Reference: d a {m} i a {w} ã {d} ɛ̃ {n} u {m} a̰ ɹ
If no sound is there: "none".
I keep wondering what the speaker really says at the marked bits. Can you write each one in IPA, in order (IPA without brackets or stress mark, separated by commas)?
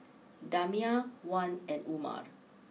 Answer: m, w, n, n, m